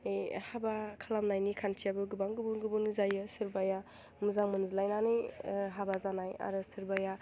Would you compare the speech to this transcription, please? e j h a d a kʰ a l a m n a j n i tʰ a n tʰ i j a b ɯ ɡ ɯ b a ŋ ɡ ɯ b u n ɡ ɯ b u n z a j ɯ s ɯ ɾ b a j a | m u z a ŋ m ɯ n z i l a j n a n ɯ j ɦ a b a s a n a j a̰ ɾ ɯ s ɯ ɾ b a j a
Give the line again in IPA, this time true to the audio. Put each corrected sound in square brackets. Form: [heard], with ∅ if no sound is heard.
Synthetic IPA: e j h a [b] a kʰ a l a m n a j n i [kʰ] a n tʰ i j a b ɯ ɡ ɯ b a ŋ ɡ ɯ b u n ɡ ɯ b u n z a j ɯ s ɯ ɾ b a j a | m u z a ŋ m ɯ n z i l a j n a n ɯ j ɦ a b a [z] a n a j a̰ ɾ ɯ s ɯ ɾ b a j a